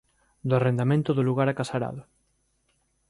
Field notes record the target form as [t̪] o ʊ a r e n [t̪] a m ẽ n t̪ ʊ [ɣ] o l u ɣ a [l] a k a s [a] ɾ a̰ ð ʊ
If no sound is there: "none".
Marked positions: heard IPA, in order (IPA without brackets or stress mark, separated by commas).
d̪, d̪, ð, ɾ, a